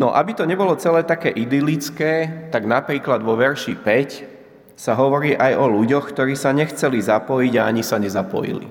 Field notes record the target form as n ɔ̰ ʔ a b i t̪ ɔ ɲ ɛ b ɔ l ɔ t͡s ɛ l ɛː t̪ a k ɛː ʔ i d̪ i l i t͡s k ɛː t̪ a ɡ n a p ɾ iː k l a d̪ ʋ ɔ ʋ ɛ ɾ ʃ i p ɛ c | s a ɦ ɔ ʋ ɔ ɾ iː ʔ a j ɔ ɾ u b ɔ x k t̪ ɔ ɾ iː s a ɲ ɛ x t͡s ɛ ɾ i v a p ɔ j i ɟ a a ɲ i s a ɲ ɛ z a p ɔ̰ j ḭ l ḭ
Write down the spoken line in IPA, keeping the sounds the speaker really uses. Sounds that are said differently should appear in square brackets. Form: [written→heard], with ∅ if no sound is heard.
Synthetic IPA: n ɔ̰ ʔ a b i t̪ ɔ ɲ ɛ b ɔ l ɔ t͡s ɛ l ɛː t̪ a k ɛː ʔ i d̪ i l i t͡s k ɛː t̪ a ɡ n a p ɾ iː k l a d̪ ʋ ɔ ʋ ɛ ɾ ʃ i p ɛ c | s a ɦ ɔ ʋ ɔ ɾ iː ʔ a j ɔ [ɾ→l] u [b→ɟ] ɔ x k t̪ ɔ ɾ iː s a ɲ ɛ x t͡s ɛ [ɾ→l] i [v→z] a p ɔ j i ɟ a a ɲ i s a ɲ ɛ z a p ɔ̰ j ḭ l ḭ